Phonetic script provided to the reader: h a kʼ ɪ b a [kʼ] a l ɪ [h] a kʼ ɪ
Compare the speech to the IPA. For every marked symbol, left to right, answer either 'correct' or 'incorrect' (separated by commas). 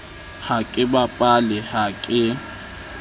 incorrect, correct